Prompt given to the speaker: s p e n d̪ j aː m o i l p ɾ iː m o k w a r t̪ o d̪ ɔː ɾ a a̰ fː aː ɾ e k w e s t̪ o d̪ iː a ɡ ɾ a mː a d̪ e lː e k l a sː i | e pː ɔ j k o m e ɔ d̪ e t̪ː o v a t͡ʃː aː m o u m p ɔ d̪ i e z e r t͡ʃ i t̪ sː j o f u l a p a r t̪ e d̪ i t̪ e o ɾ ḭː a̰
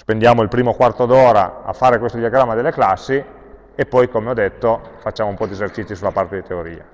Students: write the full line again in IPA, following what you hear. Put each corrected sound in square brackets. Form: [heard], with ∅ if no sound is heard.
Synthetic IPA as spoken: s p e n d̪ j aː m o i l p ɾ iː m o k w a r t̪ o d̪ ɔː ɾ a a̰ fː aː ɾ e k w e s t̪ o d̪ [i] a ɡ ɾ a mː a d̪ e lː e k l a sː i | e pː ɔ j k o m e ɔ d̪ e t̪ː o [f] a t͡ʃː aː m o u m p ɔ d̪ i e z e r t͡ʃ i t̪ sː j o [s] u l a p a r t̪ e d̪ i t̪ e o ɾ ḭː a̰